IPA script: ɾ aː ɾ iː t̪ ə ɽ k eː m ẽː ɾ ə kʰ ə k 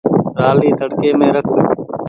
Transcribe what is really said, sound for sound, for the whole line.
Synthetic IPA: ɾ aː l iː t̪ ə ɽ k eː m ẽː ɾ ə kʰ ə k